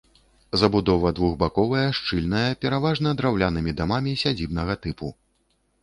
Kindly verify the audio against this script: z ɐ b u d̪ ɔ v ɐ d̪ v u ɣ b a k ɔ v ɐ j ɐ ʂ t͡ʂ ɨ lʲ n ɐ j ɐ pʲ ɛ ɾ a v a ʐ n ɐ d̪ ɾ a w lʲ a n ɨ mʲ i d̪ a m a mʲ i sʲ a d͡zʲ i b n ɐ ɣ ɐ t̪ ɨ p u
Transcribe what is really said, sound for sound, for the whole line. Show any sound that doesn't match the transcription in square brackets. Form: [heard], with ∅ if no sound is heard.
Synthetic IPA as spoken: z ɐ b u d̪ ɔ v ɐ d̪ v u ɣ b a k ɔ v ɐ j ɐ ʂ t͡ʂ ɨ lʲ n ɐ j ɐ pʲ ɛ ɾ a v a ʐ n ɐ d̪ ɾ a w lʲ a n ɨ mʲ i d̪ a m a mʲ i sʲ a d͡zʲ i b n ɐ ɣ ɐ t̪ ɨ p u